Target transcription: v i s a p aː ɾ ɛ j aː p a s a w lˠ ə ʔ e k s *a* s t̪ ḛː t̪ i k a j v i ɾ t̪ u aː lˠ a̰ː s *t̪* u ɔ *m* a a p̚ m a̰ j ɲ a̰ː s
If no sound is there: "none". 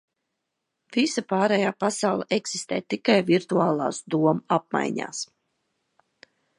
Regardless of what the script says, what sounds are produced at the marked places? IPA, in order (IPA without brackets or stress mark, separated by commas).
i, d̪, m